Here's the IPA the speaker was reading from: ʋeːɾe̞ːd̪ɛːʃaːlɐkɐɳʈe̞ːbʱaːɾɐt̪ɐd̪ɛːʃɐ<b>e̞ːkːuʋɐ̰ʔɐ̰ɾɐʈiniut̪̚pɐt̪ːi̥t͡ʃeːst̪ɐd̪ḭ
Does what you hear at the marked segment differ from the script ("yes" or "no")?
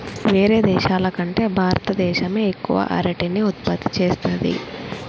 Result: yes